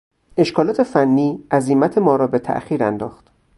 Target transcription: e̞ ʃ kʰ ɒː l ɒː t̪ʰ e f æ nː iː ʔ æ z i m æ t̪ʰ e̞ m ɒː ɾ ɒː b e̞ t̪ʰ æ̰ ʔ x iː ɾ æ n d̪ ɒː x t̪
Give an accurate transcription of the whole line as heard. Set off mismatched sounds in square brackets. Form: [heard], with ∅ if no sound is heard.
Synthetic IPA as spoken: e̞ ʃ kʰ ɒː l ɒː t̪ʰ e f æ nː iː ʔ æ z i m æ t̪ʰ e̞ m ɒː ɾ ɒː b e̞ t̪ʰ æ̰ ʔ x iː ɾ æ n d̪ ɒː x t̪